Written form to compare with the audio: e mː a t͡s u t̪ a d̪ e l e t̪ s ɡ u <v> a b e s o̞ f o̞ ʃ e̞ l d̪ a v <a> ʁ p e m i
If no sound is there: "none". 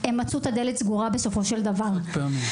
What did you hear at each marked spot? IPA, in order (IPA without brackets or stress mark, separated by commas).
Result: ʁ, a